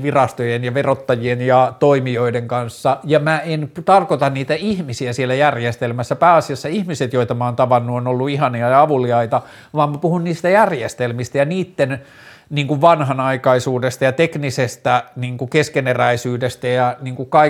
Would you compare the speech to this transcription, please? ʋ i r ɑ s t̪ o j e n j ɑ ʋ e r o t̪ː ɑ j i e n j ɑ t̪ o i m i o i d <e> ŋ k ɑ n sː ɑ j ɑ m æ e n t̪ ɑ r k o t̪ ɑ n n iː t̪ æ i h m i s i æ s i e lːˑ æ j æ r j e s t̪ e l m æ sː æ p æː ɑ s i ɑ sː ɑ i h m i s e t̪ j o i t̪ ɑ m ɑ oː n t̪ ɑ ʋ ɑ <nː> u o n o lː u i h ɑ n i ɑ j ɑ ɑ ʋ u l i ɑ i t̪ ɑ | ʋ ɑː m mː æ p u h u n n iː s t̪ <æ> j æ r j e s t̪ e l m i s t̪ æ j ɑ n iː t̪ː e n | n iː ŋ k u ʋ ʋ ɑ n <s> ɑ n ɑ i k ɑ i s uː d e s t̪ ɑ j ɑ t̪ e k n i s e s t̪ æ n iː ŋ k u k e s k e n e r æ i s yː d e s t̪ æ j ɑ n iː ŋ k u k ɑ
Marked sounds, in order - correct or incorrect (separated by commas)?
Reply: correct, correct, correct, incorrect